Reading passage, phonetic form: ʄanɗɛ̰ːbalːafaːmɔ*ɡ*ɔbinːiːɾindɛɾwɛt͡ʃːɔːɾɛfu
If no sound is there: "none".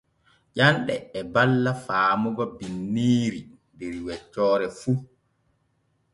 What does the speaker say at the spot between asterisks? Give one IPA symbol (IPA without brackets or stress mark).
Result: ɡ